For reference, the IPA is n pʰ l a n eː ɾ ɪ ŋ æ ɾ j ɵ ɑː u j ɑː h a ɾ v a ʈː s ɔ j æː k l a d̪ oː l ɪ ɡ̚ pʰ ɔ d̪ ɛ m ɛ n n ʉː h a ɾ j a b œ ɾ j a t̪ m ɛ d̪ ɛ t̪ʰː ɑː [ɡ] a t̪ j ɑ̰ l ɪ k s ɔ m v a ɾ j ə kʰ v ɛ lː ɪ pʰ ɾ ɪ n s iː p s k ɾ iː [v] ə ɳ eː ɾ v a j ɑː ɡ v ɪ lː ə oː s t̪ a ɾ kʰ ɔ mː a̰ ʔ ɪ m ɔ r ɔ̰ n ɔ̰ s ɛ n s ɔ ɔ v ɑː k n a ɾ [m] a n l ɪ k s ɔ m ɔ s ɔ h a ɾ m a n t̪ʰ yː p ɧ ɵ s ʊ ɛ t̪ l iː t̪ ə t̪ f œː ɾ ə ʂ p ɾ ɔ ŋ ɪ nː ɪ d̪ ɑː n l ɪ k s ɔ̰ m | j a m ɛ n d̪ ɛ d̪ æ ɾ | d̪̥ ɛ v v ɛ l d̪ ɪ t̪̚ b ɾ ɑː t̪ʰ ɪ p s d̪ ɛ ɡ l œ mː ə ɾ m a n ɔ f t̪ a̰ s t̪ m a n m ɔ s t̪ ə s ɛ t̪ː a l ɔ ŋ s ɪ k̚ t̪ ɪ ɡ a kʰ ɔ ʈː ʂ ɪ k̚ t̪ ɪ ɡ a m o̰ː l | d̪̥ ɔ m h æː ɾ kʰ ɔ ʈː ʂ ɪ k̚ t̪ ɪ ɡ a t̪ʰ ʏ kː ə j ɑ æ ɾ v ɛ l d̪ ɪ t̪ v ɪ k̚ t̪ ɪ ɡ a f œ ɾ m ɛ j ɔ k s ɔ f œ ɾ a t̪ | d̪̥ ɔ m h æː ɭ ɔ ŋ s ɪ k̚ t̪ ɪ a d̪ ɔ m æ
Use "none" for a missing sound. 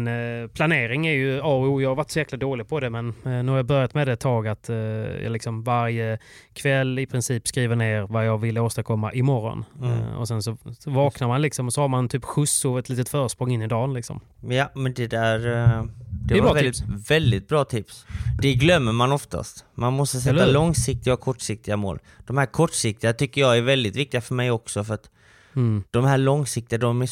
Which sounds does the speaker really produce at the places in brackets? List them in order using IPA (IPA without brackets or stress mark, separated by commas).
ɡ, v, m